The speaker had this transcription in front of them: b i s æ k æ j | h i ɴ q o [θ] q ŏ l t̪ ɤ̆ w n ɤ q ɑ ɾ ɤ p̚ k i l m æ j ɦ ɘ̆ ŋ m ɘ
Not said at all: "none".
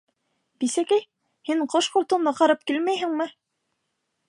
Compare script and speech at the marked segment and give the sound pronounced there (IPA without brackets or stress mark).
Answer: ʃ